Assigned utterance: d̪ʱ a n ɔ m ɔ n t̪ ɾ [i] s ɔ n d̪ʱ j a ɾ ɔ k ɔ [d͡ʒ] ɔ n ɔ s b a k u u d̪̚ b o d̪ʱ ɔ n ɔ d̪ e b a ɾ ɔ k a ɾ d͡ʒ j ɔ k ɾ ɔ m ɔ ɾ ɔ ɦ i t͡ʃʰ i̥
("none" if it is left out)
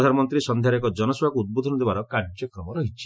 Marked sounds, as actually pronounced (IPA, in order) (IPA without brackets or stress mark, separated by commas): i, d͡ʒ